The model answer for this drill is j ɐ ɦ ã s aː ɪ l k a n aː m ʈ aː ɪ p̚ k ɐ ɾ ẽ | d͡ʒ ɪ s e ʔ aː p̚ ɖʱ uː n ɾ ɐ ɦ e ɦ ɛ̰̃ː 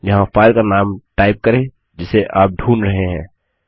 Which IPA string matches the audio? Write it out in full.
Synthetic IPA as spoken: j ɐ ɦ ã f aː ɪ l k a n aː m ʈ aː ɪ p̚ k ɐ ɾ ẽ | d͡ʒ ɪ s e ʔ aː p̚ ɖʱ uː n ɾ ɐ ɦ e ɦ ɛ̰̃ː